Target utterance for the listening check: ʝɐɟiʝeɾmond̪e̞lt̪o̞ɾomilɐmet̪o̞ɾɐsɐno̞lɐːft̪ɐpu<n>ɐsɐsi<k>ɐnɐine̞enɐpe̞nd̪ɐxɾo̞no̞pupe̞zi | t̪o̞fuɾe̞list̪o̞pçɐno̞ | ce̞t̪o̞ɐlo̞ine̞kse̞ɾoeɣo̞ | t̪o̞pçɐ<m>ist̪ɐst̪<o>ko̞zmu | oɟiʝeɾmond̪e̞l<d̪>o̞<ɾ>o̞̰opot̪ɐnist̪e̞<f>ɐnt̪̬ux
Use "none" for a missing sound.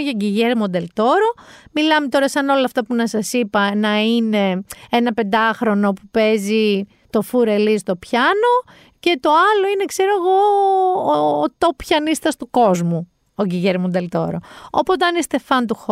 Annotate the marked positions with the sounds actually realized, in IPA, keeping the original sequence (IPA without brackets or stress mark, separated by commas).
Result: n, p, n, u, t̪, ɾ, f